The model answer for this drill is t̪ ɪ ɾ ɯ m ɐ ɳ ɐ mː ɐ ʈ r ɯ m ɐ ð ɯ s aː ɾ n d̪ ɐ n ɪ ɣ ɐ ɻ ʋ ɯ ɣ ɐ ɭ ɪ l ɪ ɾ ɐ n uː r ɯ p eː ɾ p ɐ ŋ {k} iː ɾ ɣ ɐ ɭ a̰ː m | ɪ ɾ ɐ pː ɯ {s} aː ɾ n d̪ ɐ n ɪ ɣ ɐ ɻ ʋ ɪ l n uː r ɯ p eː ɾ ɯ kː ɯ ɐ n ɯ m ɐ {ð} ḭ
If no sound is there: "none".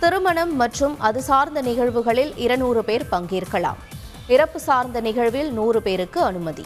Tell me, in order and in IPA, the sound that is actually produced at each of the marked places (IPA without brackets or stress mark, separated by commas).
ɡ, s, ð